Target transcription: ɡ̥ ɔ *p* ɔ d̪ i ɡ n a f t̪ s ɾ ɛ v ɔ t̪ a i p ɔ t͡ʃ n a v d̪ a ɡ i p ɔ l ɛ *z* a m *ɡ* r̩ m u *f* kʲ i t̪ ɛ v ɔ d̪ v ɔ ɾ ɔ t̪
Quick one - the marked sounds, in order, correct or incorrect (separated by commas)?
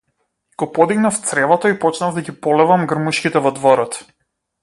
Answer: correct, incorrect, correct, incorrect